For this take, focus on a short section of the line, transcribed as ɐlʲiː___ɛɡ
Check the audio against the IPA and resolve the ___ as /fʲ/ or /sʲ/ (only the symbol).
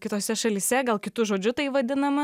sʲ